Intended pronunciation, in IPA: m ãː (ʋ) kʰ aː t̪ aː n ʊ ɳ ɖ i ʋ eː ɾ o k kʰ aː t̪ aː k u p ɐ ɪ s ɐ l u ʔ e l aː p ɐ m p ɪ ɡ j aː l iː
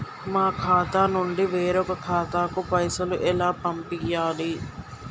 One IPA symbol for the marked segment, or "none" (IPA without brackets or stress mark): none